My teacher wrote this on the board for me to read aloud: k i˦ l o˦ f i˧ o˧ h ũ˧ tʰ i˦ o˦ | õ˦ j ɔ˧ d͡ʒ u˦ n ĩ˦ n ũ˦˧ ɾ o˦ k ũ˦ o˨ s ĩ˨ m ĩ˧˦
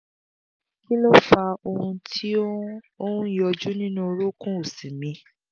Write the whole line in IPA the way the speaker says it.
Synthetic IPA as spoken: k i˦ l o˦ f a˧ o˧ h ũ˧ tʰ i˦ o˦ | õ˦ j ɔ˧ d͡ʒ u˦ n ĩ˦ n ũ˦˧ ɾ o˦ k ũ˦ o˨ s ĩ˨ m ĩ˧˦